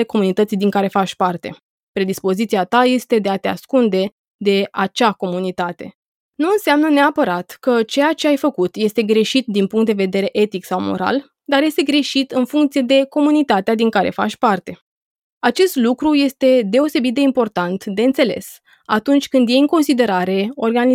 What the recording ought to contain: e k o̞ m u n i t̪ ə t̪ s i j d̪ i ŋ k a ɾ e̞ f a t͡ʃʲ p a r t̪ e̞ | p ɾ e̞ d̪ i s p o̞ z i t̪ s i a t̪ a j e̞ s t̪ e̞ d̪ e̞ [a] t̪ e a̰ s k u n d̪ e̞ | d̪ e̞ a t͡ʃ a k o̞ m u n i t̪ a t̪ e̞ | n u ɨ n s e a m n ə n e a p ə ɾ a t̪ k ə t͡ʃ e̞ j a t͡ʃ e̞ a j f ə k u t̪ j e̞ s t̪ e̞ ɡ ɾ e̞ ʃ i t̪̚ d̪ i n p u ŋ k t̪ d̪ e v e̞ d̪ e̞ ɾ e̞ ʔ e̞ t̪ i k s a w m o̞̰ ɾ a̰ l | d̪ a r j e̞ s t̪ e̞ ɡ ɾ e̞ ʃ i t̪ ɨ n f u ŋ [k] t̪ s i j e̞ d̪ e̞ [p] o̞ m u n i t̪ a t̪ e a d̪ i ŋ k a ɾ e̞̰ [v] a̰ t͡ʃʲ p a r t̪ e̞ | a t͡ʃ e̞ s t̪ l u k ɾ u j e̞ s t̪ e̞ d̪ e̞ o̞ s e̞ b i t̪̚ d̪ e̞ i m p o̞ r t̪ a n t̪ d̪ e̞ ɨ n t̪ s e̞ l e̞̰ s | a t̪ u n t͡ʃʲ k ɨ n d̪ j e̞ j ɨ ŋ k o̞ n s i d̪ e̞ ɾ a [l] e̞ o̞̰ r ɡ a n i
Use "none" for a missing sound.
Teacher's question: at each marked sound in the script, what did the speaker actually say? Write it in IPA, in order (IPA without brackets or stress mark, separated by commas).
a, k, k, f, ɾ